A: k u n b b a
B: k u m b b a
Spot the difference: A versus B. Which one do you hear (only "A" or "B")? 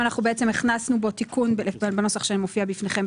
A